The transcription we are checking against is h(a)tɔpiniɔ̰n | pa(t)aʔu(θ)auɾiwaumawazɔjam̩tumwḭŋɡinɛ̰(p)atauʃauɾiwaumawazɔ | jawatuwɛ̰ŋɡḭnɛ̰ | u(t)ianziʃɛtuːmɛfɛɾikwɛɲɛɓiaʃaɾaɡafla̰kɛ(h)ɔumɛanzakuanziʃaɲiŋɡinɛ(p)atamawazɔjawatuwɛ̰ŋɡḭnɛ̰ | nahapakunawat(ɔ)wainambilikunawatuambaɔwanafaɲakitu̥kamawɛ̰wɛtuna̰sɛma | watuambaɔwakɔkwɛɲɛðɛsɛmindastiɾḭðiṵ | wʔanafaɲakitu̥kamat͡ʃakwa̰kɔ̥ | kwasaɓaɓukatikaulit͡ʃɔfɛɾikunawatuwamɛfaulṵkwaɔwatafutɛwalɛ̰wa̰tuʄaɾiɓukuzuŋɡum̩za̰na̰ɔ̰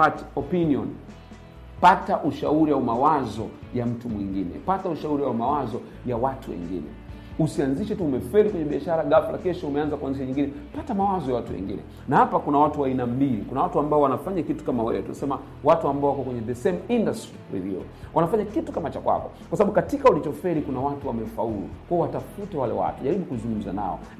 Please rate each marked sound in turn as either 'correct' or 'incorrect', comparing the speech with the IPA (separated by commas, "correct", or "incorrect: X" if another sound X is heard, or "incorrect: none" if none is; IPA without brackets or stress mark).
correct, correct, incorrect: ʃ, correct, incorrect: s, incorrect: ʃ, correct, incorrect: u